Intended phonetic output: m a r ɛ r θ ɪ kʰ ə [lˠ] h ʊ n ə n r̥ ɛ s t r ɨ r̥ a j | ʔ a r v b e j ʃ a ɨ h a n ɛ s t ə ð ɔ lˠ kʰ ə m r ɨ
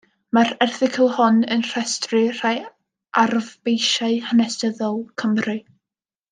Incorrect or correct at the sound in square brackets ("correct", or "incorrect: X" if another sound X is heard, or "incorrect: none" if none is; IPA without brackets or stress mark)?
correct